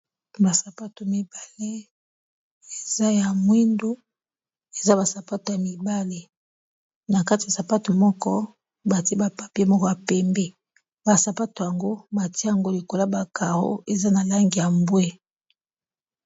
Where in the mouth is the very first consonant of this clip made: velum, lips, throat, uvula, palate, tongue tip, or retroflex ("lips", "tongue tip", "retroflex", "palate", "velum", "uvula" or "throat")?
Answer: lips